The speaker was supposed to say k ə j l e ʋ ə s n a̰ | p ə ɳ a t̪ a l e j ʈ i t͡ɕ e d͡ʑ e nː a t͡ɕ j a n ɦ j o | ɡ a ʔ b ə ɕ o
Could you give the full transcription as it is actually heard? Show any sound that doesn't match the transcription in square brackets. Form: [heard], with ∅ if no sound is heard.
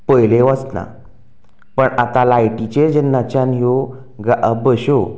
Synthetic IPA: [p] ə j l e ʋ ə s n a̰ | p ə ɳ a t̪ a l [a] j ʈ i t͡ɕ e d͡ʑ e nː a t͡ɕ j a n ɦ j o | ɡ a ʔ b ə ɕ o